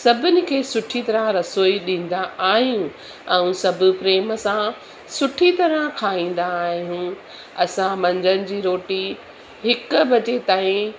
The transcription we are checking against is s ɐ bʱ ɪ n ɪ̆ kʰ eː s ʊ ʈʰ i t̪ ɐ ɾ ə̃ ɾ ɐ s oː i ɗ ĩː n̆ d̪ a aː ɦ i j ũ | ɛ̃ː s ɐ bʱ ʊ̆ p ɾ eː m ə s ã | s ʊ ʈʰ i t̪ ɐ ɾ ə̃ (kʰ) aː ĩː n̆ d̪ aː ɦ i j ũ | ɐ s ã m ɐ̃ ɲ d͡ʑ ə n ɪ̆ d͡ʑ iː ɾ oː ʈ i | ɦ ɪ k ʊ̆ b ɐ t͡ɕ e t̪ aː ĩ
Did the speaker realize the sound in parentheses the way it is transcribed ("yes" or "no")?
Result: yes